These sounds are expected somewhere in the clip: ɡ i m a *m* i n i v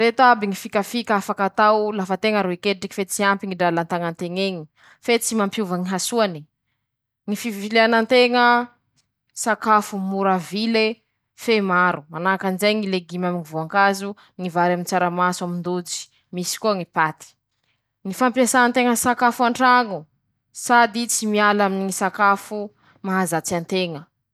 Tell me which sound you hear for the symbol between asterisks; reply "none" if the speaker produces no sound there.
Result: m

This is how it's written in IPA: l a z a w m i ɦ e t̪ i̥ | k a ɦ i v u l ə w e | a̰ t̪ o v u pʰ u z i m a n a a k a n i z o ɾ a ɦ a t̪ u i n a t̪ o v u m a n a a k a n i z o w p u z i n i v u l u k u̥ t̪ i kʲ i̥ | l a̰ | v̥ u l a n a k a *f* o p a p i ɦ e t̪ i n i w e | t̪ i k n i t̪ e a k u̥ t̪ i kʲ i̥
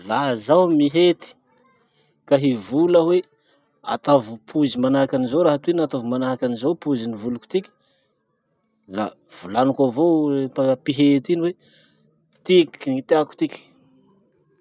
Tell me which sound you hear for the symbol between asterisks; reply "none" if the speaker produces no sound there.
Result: v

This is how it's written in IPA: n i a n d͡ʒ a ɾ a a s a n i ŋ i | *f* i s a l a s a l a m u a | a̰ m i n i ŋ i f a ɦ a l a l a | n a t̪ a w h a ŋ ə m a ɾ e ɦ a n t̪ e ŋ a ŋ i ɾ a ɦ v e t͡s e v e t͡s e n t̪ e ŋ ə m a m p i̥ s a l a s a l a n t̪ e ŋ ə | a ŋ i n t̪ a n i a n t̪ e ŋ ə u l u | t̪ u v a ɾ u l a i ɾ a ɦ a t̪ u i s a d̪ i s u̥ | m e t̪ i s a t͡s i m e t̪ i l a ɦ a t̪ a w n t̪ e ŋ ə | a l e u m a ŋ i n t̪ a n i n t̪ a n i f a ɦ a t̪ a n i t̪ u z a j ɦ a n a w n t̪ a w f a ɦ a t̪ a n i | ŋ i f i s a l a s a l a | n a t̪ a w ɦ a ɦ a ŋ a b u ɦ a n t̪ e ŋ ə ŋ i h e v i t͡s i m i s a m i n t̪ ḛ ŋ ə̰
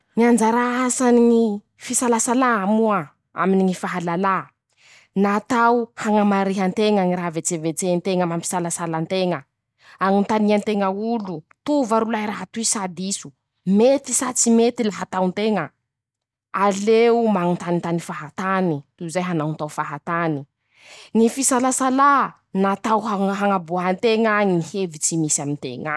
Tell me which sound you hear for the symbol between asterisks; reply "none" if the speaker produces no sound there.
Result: f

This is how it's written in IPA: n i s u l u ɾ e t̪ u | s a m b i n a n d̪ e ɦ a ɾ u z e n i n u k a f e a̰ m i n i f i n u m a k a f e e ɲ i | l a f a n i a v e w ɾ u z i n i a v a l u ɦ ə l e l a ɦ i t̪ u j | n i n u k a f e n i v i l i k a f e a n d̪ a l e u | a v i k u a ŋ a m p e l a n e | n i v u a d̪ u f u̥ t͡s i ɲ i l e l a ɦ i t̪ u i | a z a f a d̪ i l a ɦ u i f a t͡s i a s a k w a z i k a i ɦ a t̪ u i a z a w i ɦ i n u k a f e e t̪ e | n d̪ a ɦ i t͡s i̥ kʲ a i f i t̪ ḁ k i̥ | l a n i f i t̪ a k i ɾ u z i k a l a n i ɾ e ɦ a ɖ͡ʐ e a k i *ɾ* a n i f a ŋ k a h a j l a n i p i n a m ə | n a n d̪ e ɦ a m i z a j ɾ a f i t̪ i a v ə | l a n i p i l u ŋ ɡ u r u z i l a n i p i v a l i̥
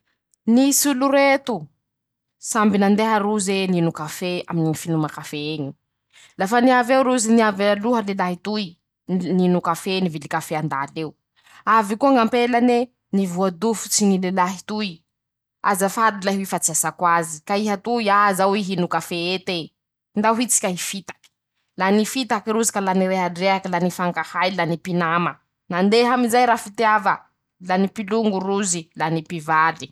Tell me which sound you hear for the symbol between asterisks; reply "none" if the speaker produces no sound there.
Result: l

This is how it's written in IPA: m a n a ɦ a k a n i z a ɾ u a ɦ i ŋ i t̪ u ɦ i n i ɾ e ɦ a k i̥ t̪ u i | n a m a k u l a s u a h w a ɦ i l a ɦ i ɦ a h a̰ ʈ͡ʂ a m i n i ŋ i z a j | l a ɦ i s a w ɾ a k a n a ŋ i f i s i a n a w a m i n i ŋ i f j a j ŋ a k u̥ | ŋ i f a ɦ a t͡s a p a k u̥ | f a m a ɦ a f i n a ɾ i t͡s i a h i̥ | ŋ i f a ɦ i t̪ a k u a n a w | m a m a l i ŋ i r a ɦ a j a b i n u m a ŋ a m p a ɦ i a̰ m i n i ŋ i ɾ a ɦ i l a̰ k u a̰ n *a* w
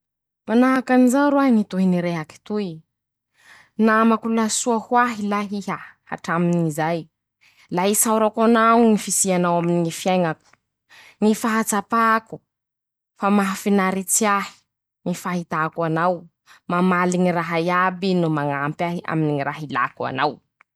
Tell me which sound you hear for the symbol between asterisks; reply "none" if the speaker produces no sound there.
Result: a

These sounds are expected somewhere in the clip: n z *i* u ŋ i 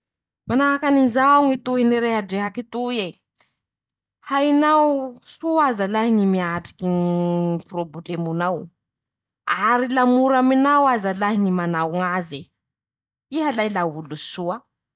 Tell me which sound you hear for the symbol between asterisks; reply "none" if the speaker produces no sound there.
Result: a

